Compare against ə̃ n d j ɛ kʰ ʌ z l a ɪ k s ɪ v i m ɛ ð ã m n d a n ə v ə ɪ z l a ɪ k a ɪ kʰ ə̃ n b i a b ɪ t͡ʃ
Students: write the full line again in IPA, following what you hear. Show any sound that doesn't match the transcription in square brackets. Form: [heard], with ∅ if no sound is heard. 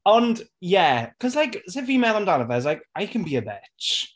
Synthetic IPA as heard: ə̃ n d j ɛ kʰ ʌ z l a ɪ k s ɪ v i m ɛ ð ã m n d a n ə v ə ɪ z l a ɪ k a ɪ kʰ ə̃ n b i [ə] b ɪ t͡ʃ